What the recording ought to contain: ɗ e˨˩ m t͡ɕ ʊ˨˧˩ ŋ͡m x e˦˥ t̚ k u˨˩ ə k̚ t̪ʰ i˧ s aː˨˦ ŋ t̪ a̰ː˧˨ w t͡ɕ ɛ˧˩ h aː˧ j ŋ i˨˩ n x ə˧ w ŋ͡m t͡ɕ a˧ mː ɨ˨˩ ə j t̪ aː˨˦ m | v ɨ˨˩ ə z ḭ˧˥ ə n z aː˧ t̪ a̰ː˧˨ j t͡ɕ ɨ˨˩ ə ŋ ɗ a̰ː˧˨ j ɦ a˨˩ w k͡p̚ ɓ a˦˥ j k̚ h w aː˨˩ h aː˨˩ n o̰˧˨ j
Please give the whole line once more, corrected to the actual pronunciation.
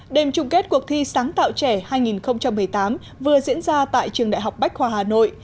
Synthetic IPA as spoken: ɗ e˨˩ m t͡ɕ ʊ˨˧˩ ŋ͡m k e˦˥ t̚ k u˨˩ ə k̚ t̪ʰ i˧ s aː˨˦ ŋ t̪ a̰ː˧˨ w t͡ɕ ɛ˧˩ h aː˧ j ŋ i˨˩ n x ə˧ w ŋ͡m t͡ɕ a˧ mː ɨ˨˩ ə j t̪ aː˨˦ m | v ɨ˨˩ ə z ḭ˧˥ ə n z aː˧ t̪ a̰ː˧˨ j t͡ɕ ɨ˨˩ ə ŋ ɗ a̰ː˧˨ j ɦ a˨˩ w k͡p̚ ɓ a˦˥ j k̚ h w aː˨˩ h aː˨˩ n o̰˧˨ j